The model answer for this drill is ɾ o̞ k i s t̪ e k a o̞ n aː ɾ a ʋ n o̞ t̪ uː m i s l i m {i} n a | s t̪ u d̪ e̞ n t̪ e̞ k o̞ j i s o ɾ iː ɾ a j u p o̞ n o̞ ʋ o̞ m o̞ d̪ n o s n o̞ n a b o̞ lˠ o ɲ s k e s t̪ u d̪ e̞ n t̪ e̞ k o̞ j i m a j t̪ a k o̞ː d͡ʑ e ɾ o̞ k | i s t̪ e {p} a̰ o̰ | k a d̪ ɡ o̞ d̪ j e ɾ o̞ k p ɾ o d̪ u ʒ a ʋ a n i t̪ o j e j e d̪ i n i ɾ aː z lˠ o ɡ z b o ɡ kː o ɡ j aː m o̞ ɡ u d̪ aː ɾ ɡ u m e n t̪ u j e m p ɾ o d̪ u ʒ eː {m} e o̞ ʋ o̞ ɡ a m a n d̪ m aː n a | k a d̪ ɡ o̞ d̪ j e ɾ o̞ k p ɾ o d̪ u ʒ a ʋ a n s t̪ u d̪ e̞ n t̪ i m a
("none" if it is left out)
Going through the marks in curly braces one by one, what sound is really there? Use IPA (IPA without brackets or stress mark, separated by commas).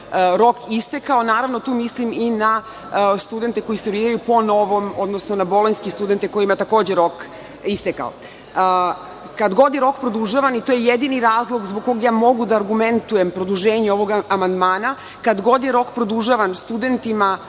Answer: i, k, ɲ